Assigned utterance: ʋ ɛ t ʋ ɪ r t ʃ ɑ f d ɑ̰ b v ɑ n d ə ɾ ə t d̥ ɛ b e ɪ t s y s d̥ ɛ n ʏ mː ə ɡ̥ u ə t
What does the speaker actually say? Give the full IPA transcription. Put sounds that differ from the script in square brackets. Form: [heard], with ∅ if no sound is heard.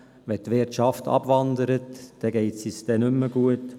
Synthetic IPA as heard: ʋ ɛ t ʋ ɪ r t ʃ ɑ f [t] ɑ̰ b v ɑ n d ə ɾ ə t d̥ ɛ [ɡ] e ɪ t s [i] s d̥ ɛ n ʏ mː ə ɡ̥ u ə t